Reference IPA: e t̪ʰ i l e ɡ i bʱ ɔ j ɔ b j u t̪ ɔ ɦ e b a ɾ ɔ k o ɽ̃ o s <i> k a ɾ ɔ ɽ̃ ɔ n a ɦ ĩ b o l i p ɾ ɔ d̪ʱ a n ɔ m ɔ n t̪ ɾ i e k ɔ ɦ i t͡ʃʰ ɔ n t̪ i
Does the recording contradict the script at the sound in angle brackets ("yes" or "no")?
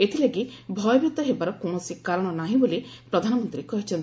no